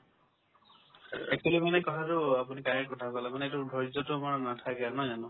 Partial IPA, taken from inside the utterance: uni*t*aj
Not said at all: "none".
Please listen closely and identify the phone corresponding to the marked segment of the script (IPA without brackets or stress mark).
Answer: k